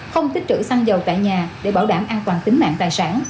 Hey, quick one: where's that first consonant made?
velum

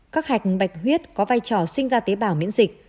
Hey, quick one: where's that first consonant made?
velum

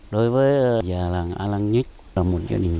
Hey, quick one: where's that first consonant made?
tongue tip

